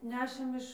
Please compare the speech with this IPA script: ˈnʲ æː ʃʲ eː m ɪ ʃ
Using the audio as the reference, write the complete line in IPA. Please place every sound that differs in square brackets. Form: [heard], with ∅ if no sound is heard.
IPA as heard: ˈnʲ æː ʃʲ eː m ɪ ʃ